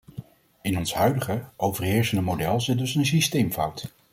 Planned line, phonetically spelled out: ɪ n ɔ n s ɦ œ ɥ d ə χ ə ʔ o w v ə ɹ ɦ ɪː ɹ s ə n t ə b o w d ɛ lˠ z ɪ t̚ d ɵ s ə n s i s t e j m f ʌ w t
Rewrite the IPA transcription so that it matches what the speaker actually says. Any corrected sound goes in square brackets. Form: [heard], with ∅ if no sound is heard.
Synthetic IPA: ɪ n ɔ n s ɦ œ ɥ d ə χ ə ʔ o w v ə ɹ ɦ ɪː ɹ s ə n [d] ə [m] o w d ɛ lˠ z ɪ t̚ d ɵ s ə n s i s t e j m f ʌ w t

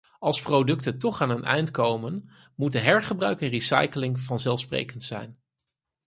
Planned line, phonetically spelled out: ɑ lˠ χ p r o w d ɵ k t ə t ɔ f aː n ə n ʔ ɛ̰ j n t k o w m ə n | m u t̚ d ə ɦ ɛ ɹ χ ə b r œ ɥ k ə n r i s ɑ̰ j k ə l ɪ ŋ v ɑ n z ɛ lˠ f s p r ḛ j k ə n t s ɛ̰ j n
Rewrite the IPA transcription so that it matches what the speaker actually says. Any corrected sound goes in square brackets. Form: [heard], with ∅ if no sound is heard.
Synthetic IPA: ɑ lˠ [s] p r o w d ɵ k t ə t ɔ [χ] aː n ə n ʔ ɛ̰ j n t k o w m ə n | m u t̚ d ə ɦ ɛ ɹ χ ə b r œ ɥ k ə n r i s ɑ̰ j k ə l ɪ ŋ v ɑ n z ɛ lˠ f s p r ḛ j k ə n t s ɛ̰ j n

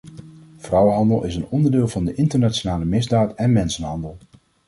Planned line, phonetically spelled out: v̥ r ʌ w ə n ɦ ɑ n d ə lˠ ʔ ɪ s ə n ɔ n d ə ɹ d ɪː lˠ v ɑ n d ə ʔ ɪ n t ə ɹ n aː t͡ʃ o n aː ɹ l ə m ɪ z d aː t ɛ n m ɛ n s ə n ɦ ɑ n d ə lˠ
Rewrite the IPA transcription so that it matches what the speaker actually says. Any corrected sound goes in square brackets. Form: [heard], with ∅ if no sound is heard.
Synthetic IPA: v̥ r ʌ w ə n ɦ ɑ n d ə lˠ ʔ ɪ s ə n ɔ n d ə ɹ d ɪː lˠ v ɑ n d ə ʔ ɪ n t ə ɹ n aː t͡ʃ o n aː [∅] l ə m ɪ z d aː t ɛ n m ɛ n s ə n ɦ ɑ n d ə lˠ

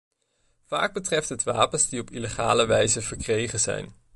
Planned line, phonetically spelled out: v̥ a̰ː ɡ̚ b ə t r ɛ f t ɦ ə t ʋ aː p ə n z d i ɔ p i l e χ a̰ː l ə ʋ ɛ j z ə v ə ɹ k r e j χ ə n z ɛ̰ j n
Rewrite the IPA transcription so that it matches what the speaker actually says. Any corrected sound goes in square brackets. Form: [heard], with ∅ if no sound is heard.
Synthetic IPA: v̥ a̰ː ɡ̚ b ə t r ɛ f t ɦ ə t ʋ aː p ə n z d i ɔ p i l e χ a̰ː l ə ʋ ɛ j z ə v ə ɹ k r e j χ ə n z ɛ̰ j n

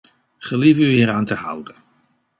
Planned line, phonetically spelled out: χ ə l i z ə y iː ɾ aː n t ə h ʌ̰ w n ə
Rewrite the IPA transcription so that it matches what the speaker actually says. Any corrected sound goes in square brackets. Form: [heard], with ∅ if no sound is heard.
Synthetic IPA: χ ə l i [v] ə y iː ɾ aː n t ə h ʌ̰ w [d] ə

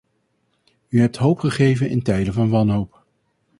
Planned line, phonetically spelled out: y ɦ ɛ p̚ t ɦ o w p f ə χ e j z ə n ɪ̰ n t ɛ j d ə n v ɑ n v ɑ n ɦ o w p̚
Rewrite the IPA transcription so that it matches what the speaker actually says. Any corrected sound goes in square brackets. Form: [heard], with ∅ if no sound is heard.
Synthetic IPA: y ɦ ɛ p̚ t ɦ o w p [χ] ə χ e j [v] ə n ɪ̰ n t ɛ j d ə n v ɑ n [ʋ] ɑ n ɦ o w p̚

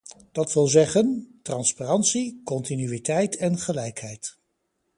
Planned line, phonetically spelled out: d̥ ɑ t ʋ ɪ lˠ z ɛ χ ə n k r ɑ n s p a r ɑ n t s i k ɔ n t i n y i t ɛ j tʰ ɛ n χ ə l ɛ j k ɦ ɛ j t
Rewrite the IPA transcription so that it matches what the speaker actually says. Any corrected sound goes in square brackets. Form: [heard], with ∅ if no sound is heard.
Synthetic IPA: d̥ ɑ t ʋ ɪ lˠ z ɛ χ ə n [t] r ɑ n s p a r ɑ n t s i k ɔ n t i n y i t ɛ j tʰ ɛ n χ ə l ɛ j k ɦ ɛ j t

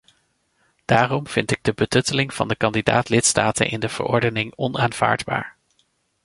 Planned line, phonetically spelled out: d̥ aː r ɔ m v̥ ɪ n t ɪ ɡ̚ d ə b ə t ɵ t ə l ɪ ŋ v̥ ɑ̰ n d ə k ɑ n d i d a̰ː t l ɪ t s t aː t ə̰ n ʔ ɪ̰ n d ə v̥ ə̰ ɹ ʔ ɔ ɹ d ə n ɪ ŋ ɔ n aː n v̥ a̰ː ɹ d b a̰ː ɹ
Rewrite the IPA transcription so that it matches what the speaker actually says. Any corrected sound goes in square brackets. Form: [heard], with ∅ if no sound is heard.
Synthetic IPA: d̥ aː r ɔ m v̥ ɪ n t ɪ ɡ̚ d ə b ə t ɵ t ə l ɪ ŋ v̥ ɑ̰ n d ə k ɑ n d i d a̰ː t l ɪ t s t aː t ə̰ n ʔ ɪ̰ n d ə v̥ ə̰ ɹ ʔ ɔ ɹ d ə n ɪ ŋ ɔ n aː n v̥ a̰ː ɹ d b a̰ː ɹ

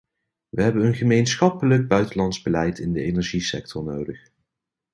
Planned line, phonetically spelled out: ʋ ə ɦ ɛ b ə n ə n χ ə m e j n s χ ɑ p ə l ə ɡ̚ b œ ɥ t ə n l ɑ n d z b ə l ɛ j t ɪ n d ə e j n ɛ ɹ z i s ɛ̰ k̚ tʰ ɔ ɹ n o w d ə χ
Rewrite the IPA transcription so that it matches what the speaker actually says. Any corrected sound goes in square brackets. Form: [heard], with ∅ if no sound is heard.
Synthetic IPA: ʋ ə ɦ ɛ b ə n ə n χ ə m e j n s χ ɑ p ə l ə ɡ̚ b œ ɥ t ə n l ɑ n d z b ə l ɛ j t ɪ n d ə e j n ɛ ɹ [ʒ] i s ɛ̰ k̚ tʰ ɔ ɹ n o w d ə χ

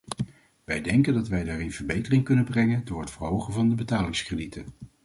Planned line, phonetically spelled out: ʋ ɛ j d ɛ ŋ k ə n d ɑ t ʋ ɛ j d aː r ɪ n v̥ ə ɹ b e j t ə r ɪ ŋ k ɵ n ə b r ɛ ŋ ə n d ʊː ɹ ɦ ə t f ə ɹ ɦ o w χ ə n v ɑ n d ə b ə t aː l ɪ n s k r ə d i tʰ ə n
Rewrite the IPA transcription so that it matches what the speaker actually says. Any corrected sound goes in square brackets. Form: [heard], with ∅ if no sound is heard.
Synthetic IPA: ʋ ɛ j d ɛ ŋ k ə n d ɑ t ʋ ɛ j d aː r ɪ n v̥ ə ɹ b e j t ə r ɪ ŋ k ɵ n ə b r ɛ ŋ ə n d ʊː ɹ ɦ ə t f ə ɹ ɦ o w χ ə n v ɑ n d ə b ə t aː l ɪ [ŋ] s k r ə d i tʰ ə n

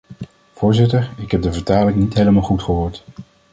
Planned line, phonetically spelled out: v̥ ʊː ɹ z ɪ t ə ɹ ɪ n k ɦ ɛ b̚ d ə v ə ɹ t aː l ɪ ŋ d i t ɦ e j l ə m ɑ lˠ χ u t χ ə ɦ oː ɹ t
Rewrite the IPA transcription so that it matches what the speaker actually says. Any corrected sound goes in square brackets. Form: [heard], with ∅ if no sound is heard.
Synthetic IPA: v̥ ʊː ɹ z ɪ t ə ɹ ɪ [∅] k ɦ ɛ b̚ d ə v ə ɹ t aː l ɪ ŋ [n] i t ɦ e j l ə m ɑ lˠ χ u t χ ə ɦ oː ɹ t

